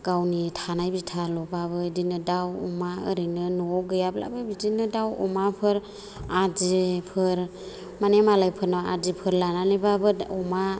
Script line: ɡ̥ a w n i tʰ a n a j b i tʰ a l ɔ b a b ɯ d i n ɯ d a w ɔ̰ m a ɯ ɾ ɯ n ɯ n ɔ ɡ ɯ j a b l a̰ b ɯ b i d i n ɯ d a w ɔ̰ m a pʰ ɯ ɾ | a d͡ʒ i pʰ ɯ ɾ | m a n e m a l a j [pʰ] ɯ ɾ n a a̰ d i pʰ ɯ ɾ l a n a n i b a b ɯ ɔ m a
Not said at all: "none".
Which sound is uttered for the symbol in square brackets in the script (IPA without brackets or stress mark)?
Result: pʰ